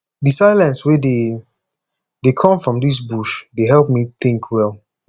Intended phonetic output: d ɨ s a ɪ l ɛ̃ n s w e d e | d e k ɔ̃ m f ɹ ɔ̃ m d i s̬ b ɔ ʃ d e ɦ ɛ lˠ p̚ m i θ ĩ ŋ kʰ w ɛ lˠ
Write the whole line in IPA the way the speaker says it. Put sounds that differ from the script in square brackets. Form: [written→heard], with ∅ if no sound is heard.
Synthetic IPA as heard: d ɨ s a ɪ l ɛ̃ n s w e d e | d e [k→kʰ] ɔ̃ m f ɹ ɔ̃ m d i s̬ b [ɔ→u] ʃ d e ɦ ɛ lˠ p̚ m i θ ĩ ŋ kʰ w ɛ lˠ